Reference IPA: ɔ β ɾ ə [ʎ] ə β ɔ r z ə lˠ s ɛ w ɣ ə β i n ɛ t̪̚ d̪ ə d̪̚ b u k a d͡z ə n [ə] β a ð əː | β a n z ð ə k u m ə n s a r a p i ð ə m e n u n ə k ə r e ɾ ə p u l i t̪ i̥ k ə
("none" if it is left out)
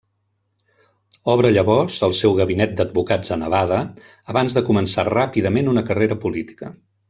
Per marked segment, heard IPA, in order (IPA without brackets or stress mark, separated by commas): ʎ, ə